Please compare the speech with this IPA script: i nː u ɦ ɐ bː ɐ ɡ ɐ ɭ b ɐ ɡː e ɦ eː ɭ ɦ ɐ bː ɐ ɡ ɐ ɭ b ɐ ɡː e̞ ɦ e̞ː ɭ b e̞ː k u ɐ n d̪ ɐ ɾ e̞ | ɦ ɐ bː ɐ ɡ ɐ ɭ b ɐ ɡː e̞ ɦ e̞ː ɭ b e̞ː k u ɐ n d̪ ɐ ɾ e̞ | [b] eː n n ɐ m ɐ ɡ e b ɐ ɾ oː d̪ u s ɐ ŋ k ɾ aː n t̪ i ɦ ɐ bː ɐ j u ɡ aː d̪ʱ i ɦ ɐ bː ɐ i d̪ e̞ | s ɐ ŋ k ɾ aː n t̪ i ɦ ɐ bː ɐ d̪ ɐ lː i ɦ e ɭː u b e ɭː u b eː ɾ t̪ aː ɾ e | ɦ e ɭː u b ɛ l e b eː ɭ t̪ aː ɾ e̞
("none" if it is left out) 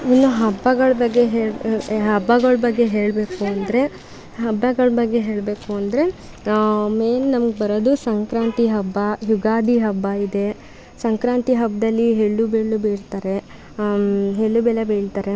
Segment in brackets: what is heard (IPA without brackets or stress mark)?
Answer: m